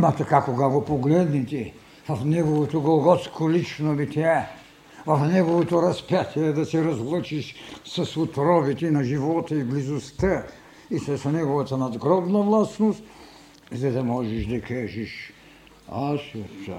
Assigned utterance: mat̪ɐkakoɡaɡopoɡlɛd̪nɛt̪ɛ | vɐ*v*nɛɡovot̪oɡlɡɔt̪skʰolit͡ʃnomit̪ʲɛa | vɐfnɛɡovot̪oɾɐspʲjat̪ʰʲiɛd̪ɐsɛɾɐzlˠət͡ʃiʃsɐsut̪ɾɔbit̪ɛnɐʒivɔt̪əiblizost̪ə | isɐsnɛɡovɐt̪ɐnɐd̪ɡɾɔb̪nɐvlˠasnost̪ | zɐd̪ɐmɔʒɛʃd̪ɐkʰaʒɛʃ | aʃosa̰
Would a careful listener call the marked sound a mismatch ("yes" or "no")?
yes